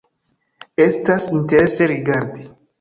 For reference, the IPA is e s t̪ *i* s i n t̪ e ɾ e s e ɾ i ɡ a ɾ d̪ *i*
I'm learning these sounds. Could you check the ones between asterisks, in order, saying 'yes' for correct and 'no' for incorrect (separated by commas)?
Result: no, yes